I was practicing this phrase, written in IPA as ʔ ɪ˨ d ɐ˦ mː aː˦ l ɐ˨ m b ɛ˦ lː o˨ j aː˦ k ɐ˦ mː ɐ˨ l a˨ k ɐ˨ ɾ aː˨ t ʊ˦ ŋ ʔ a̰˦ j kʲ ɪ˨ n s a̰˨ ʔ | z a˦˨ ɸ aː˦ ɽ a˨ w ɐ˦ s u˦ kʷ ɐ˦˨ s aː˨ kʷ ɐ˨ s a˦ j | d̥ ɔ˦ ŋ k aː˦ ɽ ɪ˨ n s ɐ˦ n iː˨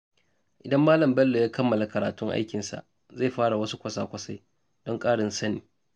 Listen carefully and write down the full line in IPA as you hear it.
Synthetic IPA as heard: ʔ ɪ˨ d ɐ˦ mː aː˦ l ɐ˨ m b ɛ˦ lː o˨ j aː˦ k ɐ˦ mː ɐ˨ l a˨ k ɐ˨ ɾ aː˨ t ʊ˦ ŋ ʔ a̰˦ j kʲ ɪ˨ n s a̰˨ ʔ | z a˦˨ ɸ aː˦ ɽ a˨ w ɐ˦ s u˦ kʷ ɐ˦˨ s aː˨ kʷ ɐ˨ s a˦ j | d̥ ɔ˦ ŋ kʼ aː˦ ɽ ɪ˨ n s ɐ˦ n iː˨